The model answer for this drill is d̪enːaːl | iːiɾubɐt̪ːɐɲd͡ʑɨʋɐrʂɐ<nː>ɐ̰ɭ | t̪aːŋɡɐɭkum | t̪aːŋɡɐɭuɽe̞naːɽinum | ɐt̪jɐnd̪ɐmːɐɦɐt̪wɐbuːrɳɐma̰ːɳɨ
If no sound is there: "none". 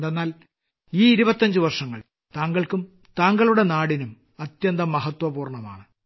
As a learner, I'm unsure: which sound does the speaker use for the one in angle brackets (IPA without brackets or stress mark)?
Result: ŋː